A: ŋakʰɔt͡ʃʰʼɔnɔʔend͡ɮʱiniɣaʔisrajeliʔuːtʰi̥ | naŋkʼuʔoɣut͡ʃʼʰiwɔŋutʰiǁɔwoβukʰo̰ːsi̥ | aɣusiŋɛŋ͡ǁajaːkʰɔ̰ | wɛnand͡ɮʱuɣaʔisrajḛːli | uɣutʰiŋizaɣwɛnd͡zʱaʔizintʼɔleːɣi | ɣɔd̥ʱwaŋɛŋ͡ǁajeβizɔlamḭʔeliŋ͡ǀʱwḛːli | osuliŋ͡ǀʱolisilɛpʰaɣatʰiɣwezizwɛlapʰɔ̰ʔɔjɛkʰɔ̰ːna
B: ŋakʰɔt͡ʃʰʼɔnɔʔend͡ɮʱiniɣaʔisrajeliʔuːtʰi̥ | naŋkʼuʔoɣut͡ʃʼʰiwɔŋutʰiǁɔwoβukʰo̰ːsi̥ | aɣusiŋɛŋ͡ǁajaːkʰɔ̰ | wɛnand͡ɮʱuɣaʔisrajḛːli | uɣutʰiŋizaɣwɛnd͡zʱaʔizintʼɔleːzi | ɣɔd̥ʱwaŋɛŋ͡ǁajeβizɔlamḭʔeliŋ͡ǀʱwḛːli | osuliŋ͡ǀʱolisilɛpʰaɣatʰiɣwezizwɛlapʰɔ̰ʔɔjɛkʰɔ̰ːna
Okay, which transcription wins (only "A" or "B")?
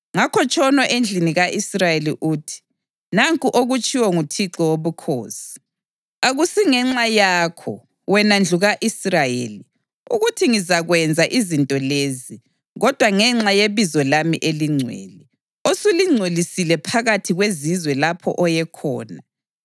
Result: B